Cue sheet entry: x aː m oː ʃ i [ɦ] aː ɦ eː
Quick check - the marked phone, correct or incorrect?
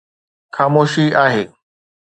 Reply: incorrect